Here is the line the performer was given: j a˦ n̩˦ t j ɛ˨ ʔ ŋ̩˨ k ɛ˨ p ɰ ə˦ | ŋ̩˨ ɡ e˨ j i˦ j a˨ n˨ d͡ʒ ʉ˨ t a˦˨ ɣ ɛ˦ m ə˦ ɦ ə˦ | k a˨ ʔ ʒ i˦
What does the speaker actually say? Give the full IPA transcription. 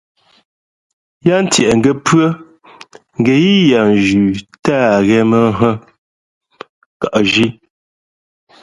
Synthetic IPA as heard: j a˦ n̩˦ t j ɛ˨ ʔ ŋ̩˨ ɡ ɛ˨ p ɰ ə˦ | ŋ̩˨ ɡ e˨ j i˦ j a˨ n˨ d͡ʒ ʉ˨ t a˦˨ ɣ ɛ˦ m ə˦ ɦ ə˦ | k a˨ ʔ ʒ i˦

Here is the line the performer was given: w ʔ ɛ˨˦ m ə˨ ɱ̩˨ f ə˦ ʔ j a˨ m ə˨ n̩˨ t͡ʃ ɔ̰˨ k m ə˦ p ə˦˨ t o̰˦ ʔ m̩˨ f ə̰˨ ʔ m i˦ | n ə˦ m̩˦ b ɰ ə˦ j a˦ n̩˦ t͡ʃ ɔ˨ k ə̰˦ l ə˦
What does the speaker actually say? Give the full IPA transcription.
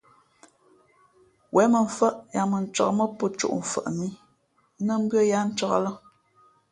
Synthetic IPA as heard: w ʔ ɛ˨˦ m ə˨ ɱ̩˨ f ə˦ ʔ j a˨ m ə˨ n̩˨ t͡ʃ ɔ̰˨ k m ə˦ p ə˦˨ t͡ʃ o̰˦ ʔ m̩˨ f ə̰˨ ʔ m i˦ | n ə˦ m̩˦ b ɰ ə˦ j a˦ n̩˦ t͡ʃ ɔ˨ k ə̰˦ l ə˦

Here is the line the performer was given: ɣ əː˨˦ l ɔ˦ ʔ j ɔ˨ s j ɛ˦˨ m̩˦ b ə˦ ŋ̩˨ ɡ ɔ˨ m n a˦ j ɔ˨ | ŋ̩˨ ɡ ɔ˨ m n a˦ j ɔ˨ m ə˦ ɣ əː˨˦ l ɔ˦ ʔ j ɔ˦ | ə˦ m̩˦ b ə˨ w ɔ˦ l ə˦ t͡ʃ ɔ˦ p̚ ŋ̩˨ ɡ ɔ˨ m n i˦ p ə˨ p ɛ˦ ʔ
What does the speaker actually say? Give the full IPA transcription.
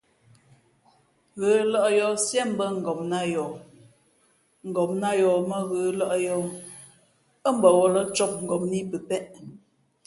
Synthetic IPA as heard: ɣ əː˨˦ l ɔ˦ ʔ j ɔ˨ s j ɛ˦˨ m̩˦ b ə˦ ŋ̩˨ ɡ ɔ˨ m n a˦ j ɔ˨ | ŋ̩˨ ɡ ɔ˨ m n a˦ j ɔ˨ m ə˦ ɣ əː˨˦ l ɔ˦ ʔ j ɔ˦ | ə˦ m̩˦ b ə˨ w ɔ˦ l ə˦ t͡ʃ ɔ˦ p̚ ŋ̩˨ ɡ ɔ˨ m n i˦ p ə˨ p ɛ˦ ʔ

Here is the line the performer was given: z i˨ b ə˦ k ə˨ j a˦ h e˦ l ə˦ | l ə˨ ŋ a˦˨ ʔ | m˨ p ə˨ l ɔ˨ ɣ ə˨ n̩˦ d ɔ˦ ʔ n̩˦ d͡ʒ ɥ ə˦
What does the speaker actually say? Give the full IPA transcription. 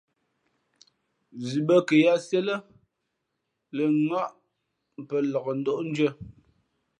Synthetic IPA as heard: z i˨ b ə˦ k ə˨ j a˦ s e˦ l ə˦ | l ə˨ ŋ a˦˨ ʔ | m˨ p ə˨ l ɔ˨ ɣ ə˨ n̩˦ d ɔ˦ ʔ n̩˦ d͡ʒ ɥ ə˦

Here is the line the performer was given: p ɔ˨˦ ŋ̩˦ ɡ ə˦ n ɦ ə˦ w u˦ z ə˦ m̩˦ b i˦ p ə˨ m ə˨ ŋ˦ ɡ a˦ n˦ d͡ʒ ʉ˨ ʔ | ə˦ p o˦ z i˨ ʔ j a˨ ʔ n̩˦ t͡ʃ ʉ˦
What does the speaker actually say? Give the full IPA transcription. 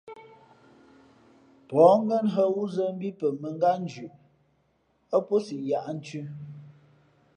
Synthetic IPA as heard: p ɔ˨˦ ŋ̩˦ ɡ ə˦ n ɦ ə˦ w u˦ z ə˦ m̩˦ b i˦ p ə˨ m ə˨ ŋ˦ ɡ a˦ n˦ d͡ʒ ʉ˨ ʔ | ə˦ p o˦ s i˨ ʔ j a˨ ʔ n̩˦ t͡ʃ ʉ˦

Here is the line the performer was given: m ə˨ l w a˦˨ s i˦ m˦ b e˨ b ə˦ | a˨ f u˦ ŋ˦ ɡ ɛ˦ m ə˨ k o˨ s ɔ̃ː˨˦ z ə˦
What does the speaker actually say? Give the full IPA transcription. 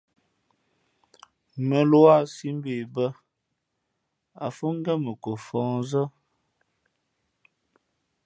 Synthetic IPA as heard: m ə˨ l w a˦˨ s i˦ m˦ b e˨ b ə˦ | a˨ f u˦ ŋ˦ ɡ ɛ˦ m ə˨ k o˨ f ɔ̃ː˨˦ z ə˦

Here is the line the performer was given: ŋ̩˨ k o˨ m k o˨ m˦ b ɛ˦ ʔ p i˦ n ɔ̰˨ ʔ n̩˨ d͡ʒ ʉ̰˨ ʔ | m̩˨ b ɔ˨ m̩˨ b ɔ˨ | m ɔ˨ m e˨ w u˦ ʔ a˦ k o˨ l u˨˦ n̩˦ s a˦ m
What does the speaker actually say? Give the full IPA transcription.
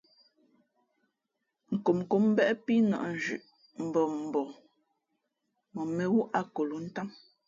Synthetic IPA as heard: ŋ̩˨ k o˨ m k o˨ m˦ b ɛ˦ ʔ p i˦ n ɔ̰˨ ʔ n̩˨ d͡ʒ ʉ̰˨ ʔ | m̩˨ b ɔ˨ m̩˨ b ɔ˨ | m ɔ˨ m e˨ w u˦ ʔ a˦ k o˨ l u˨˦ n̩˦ t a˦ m

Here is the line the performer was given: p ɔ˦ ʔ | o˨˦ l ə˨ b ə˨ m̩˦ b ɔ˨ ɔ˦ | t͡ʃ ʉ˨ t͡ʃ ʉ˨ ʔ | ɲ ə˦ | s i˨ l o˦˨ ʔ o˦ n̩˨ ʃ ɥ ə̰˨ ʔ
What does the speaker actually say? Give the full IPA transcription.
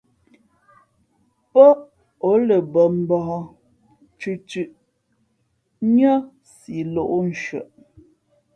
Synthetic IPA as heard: p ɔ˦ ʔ | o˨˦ l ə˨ b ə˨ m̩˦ b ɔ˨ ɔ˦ | t͡ʃ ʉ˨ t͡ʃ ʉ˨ ʔ | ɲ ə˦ | s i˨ l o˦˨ ʔ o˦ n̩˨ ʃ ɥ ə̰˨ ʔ

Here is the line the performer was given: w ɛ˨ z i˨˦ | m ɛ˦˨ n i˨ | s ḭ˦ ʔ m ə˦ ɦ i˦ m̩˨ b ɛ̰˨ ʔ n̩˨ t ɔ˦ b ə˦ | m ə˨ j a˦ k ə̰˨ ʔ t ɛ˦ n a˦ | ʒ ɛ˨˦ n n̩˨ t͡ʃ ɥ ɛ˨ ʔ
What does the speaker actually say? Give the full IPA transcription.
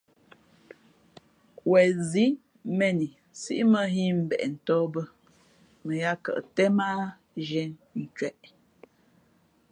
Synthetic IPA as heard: w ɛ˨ z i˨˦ | m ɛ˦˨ n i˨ | s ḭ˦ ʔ m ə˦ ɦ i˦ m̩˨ b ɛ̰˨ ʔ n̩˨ t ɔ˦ b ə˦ | m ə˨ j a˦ k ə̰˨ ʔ t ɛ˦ m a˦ | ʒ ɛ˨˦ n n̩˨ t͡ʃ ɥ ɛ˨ ʔ

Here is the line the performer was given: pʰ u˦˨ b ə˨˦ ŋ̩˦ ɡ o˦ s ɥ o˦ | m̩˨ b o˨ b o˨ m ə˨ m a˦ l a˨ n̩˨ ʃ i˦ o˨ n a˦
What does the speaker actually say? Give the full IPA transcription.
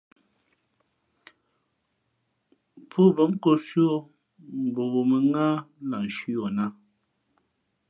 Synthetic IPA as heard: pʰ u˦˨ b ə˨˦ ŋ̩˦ k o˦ s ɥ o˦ | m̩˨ b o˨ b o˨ m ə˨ ŋ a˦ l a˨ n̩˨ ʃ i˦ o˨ n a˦

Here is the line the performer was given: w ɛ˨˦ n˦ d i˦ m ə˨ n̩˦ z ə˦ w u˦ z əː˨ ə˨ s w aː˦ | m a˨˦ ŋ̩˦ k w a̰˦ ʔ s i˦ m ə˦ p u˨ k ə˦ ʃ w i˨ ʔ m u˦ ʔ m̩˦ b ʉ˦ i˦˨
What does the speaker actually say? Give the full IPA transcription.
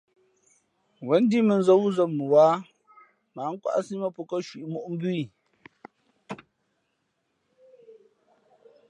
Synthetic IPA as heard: w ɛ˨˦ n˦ d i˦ m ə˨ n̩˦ z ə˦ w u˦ z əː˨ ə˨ w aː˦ | m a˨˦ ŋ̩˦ k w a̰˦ ʔ s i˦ m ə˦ p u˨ k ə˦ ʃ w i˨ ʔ m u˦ ʔ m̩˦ b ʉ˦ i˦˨

